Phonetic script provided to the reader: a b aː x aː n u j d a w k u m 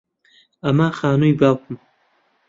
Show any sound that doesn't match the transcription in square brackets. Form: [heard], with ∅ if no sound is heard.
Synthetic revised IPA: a [m] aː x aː n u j [b] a w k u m